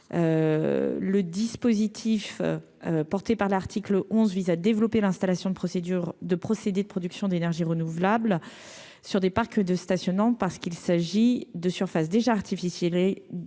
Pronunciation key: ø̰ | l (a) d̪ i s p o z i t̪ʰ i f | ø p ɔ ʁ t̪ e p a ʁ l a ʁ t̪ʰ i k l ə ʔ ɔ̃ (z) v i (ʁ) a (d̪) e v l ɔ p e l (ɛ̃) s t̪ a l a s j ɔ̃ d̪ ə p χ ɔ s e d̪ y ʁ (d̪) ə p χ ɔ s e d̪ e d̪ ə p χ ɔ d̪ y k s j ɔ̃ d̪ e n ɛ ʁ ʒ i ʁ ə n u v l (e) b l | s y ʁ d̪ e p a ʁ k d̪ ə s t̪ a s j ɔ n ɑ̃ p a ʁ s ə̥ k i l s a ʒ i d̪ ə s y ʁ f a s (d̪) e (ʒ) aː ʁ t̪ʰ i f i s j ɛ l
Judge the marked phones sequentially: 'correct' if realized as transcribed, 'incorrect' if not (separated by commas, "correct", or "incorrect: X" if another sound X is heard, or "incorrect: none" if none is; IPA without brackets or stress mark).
incorrect: ə, correct, incorrect: z, correct, correct, correct, incorrect: a, correct, correct